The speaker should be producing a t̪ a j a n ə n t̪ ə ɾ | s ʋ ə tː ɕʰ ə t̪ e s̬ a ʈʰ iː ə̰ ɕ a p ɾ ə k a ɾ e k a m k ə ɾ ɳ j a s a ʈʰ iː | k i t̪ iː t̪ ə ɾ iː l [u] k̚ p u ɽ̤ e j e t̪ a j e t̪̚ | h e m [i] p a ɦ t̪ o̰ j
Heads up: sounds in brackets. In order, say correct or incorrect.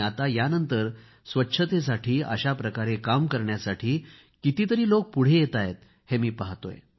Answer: incorrect, incorrect

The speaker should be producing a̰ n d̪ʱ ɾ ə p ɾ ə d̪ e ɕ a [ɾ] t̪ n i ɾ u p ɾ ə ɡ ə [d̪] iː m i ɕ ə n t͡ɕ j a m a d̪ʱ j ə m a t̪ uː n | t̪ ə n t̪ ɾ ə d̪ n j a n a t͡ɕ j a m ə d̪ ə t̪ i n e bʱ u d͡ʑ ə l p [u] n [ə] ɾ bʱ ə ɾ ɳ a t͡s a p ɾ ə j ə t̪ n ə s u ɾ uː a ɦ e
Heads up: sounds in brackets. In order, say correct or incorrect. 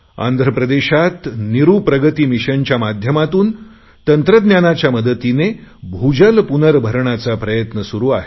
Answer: incorrect, incorrect, correct, correct

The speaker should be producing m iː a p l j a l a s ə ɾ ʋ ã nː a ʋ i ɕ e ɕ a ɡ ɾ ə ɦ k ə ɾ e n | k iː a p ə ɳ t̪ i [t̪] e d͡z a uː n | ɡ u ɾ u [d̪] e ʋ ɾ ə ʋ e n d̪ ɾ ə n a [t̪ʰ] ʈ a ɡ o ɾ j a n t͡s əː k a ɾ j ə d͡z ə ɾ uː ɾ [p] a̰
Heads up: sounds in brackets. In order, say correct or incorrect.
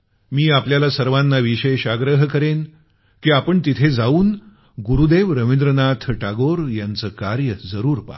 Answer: incorrect, correct, correct, correct

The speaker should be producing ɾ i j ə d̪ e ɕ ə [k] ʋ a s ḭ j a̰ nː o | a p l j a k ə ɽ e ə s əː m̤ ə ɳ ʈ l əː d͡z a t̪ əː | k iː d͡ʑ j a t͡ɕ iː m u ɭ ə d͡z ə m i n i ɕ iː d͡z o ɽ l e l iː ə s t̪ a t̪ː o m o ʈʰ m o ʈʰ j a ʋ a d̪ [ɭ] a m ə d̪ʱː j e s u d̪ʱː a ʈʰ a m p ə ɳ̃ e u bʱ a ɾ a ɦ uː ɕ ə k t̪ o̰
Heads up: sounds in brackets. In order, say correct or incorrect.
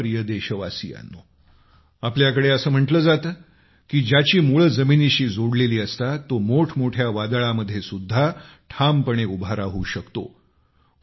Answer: incorrect, correct

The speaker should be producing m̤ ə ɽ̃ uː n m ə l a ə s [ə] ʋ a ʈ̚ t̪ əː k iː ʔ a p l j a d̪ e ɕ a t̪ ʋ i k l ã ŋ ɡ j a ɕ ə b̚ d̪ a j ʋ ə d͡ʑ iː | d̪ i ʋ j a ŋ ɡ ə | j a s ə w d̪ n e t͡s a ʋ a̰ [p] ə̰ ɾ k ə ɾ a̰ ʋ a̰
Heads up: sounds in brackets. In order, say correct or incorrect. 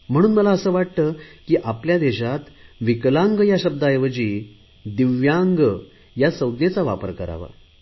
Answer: incorrect, correct

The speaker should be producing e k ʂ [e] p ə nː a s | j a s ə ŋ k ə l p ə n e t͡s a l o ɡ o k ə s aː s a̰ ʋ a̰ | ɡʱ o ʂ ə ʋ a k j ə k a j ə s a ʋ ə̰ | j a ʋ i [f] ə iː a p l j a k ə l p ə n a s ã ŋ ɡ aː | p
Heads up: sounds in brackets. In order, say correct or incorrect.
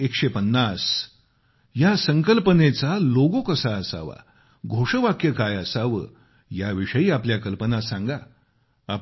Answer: correct, incorrect

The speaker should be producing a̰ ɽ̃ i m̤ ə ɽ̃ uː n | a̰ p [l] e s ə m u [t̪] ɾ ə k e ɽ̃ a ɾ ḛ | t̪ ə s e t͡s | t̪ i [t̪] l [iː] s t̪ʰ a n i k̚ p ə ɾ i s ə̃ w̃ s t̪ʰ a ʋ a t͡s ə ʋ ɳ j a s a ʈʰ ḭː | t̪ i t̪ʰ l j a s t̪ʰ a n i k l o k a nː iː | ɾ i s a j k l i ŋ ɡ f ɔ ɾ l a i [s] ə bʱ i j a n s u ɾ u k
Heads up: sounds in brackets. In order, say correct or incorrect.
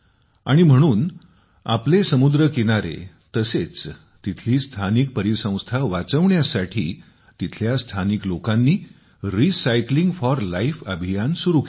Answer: correct, incorrect, incorrect, correct, incorrect

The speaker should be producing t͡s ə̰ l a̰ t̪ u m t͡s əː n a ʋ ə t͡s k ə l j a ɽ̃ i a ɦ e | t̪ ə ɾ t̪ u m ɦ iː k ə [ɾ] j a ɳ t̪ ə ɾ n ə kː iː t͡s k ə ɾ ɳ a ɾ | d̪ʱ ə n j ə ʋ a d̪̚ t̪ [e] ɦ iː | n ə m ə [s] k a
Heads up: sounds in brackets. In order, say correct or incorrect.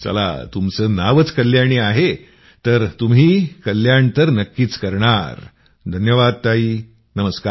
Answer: incorrect, incorrect, correct

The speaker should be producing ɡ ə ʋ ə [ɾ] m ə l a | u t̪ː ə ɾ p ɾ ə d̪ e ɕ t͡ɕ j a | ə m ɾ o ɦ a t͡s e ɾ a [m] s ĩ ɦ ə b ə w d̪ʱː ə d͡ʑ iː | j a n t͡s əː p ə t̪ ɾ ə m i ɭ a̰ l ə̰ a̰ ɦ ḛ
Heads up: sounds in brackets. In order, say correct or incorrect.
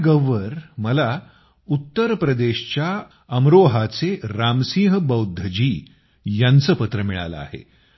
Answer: correct, correct

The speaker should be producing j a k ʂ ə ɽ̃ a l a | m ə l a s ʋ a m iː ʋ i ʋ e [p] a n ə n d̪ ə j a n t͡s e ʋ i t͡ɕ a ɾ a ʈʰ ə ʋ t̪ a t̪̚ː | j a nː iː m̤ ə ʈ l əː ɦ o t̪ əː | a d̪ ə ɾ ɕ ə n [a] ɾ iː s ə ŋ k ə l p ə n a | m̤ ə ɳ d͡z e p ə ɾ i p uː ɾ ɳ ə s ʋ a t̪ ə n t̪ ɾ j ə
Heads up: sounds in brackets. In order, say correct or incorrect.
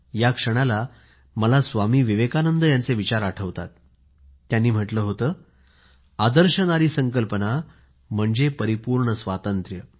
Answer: incorrect, correct

